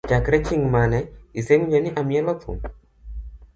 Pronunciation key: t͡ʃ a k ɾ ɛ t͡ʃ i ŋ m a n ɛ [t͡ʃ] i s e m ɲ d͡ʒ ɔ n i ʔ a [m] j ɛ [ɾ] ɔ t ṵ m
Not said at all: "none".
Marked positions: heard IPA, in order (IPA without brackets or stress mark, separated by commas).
none, m, l